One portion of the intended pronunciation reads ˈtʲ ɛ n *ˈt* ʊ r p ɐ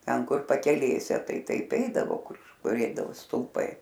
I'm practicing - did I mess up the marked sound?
yes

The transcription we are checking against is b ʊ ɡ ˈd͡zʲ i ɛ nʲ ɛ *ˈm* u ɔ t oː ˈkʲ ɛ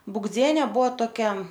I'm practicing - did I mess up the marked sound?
yes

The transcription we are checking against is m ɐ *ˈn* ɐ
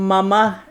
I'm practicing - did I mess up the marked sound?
yes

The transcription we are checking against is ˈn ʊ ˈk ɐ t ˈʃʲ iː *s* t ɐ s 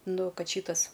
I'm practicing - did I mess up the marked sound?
yes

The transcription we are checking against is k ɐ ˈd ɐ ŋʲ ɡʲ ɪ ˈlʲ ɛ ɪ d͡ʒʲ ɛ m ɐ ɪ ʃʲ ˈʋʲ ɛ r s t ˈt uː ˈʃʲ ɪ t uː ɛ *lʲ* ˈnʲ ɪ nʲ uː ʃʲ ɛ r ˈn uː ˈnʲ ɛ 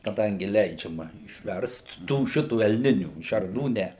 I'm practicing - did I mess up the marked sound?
no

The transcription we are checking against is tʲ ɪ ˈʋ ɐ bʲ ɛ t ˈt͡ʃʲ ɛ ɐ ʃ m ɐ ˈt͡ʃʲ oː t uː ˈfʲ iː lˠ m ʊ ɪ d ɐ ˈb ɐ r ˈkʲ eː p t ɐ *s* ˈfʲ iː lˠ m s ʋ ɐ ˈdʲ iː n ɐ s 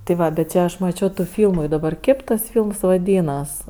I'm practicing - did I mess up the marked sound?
no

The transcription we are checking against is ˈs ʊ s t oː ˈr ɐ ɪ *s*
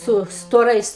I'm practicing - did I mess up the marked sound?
no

